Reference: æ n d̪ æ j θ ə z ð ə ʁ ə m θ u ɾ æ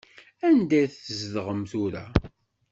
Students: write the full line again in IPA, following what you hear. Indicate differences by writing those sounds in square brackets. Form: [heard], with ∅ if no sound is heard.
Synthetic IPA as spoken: æ n d̪ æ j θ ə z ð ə ʁ ə m θ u ɾ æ

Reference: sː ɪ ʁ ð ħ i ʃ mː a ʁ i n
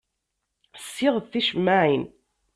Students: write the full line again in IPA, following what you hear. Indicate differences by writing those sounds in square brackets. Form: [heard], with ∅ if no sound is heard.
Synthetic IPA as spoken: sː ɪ ʁ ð [θ] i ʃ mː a [ʕ] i n

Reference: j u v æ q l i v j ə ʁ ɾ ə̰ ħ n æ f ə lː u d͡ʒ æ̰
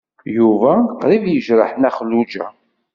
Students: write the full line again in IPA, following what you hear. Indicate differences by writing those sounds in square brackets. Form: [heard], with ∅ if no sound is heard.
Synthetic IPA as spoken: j u v æ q [ɾ] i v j ə [ʒ] ɾ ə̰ ħ n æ [χ] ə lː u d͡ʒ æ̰

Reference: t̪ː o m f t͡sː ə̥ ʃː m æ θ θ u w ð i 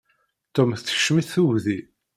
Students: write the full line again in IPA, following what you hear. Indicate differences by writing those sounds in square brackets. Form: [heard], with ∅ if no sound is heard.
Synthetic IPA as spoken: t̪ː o m [θ] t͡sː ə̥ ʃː m [i] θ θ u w ð i

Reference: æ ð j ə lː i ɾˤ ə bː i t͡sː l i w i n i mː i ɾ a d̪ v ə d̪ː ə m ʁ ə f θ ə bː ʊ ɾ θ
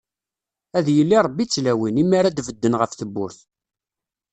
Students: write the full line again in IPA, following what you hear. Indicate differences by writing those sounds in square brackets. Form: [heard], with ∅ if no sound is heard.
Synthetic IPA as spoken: æ ð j ə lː i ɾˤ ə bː i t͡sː l [æ] w i n i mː [a] ɾ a d̪ v ə d̪ː ə [n] ʁ ə f θ ə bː ʊ ɾ θ

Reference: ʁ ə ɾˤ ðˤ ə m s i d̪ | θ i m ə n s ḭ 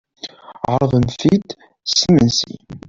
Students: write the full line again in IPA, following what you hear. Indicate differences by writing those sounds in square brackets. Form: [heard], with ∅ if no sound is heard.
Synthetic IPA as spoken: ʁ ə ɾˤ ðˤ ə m [θ] i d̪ | [s] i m ə n s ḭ

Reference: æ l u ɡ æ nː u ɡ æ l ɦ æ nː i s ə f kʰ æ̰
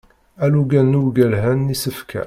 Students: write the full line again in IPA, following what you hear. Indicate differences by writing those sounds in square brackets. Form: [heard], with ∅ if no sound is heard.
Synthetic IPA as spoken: æ l u ɡ æ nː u ɡ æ l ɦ æ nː i s ə f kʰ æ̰

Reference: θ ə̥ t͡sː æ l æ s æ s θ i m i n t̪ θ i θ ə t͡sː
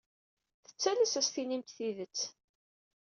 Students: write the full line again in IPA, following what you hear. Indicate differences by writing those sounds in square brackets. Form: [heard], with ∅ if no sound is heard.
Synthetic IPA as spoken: θ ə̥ t͡sː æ l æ s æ s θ i [n] i [m] t̪ θ i [ð] ə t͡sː

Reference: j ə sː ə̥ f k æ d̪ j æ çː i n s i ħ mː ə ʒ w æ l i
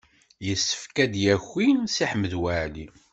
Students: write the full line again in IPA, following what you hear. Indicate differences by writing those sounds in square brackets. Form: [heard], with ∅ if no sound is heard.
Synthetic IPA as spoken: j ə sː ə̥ f k æ d̪ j æ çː i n s i ħ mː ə [ð] w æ l i

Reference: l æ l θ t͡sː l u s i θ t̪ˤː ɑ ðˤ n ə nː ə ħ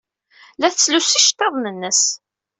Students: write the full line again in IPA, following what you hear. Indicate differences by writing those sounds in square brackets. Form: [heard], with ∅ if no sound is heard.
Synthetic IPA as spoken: l æ [∅] θ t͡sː l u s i [ʃ] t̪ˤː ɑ ðˤ n ə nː ə [s]

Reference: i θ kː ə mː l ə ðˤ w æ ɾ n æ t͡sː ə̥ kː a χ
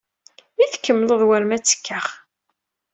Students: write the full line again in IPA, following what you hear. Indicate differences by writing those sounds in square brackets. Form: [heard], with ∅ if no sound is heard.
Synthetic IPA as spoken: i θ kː ə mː l ə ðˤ w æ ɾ [m] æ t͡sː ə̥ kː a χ

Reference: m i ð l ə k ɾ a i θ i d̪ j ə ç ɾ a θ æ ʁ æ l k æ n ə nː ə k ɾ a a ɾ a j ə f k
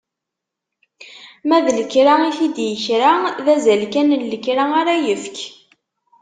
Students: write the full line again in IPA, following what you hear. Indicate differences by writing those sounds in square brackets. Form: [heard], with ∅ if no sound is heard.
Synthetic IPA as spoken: m [æ] ð l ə k ɾ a i θ i d̪ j ə ç ɾ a [ð] æ [z] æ l k æ n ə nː ə k ɾ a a ɾ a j ə f k

